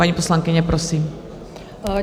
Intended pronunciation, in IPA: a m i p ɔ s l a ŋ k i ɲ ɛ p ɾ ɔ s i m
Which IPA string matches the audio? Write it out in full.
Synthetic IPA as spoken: a ɲ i p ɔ s l a ŋ k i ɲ ɛ p ɾ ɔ s iː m